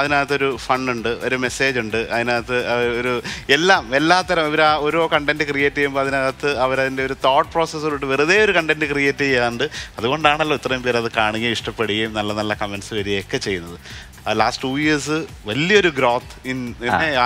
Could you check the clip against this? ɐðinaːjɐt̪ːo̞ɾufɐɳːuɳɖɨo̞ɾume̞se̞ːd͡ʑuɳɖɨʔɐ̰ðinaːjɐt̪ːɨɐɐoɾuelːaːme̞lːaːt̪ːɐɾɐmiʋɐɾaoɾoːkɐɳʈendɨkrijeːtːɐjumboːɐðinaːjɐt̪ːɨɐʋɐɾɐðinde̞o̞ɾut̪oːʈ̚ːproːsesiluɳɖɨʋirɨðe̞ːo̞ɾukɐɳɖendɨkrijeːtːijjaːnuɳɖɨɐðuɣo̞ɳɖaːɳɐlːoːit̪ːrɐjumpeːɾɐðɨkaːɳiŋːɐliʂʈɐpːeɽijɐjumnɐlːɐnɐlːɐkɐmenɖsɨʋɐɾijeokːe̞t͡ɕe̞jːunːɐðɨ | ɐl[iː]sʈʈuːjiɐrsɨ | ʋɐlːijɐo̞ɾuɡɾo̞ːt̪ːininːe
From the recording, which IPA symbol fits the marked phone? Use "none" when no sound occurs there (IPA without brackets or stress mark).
aː